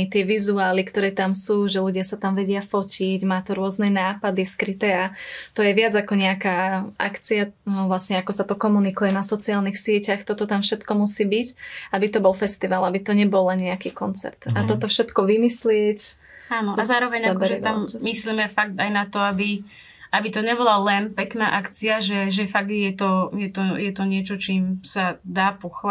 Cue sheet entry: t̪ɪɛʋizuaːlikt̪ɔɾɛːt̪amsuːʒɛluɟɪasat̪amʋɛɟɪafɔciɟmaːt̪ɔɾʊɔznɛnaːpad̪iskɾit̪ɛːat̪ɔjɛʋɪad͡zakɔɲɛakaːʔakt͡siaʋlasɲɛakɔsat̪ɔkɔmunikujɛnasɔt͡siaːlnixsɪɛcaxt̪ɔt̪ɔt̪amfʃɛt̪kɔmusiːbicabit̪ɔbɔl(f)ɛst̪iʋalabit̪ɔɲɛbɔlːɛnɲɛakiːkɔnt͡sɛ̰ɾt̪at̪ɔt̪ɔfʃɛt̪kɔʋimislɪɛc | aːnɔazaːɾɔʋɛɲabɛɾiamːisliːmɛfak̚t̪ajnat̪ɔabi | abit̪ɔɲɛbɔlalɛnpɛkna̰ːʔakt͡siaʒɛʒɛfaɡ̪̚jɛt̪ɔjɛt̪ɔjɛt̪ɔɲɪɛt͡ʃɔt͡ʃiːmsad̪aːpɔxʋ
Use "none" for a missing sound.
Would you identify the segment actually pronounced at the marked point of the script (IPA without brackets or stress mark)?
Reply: f